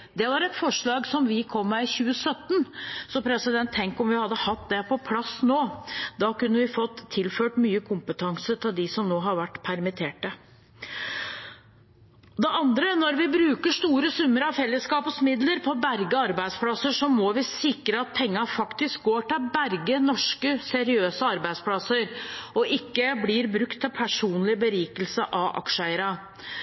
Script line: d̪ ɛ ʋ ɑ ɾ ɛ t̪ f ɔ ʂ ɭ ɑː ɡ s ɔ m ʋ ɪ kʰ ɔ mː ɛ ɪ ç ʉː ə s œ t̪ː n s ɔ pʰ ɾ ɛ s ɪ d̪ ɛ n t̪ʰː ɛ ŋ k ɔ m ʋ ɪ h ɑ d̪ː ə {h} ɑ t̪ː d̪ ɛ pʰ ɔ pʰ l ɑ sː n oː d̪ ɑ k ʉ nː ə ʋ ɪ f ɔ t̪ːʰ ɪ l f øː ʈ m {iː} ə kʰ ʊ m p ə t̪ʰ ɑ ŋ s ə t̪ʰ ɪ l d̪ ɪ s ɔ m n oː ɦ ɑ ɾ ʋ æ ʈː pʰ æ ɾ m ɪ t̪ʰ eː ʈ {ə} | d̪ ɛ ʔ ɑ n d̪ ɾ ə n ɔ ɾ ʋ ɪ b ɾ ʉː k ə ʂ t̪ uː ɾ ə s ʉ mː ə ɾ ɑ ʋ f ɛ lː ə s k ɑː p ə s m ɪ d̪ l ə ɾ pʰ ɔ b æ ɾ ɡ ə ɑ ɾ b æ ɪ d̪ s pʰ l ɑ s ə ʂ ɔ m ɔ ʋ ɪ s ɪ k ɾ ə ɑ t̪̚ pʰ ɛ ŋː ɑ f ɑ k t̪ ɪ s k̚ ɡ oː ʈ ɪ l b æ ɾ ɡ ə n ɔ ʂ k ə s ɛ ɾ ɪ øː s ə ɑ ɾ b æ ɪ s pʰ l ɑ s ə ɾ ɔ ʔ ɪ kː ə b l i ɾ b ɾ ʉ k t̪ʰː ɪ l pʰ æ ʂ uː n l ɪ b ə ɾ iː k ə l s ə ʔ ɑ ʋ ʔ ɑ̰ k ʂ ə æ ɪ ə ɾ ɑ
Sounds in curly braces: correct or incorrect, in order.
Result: correct, incorrect, correct

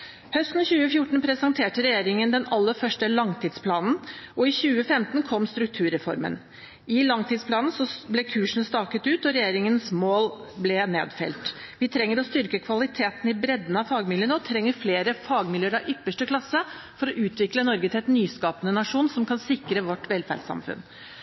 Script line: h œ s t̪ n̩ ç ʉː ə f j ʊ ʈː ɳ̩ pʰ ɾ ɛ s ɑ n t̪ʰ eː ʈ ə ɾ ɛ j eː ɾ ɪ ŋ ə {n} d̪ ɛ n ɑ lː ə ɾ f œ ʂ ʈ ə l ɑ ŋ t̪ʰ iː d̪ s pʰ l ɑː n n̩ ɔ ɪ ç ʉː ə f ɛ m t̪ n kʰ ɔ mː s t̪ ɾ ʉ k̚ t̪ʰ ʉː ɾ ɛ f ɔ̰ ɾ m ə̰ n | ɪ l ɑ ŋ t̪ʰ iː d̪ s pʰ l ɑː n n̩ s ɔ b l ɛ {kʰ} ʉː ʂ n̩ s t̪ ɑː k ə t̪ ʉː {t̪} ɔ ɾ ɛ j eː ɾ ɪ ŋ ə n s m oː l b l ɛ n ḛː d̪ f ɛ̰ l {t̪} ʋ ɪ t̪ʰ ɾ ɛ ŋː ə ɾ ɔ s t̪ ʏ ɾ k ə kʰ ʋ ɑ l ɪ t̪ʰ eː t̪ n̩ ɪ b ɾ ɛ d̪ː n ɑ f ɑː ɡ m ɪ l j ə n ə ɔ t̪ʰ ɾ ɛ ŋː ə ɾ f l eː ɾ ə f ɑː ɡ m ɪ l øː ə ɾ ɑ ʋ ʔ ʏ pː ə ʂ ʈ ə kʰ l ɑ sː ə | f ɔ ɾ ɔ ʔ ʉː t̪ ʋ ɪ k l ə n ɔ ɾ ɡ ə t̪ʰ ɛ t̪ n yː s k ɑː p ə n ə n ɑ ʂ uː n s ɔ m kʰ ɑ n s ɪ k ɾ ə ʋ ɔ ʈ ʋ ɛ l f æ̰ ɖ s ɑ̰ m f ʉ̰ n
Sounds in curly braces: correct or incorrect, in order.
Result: correct, correct, correct, correct

